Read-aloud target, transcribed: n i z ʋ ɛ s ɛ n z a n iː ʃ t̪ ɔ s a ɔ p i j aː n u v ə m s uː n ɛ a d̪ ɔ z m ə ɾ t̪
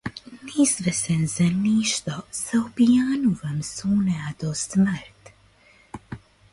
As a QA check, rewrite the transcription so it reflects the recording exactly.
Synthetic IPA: n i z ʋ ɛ s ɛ n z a n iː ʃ t̪ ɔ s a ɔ p i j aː n u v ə m s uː n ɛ a d̪ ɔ s m ə ɾ t̪